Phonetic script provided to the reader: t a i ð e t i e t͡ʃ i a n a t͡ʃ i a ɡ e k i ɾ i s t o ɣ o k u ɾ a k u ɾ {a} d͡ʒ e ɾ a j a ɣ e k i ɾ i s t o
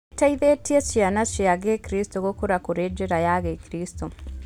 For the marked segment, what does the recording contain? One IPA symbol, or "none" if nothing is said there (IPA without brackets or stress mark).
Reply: e